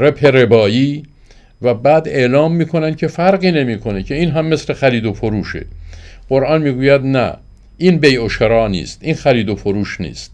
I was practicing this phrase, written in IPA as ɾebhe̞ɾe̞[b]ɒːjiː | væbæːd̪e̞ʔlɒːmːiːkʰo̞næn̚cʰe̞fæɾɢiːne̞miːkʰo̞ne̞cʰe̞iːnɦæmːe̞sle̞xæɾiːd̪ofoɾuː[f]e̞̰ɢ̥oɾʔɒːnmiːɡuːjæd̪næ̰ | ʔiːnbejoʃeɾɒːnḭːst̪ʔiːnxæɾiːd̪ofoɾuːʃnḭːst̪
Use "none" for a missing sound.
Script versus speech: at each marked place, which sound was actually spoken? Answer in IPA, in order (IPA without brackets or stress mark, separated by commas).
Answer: b, ʃ